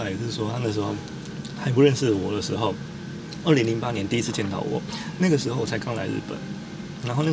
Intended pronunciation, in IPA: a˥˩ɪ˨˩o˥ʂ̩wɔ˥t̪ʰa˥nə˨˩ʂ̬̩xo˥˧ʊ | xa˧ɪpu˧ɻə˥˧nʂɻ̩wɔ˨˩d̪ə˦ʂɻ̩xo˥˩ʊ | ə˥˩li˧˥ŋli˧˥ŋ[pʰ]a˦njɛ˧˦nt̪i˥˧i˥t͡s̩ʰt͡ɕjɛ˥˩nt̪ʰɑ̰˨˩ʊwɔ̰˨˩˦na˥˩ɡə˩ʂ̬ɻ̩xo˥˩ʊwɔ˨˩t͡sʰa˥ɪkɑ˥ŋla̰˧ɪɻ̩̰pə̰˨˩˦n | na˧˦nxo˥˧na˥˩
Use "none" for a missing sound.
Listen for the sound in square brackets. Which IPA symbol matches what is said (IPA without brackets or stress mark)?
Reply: p